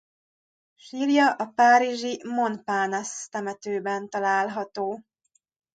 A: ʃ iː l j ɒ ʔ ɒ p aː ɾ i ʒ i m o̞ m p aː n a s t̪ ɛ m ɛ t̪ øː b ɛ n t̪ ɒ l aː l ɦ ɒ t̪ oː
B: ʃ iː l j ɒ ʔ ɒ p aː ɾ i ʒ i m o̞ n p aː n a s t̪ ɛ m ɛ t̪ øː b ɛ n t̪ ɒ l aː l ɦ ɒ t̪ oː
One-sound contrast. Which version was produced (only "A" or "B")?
B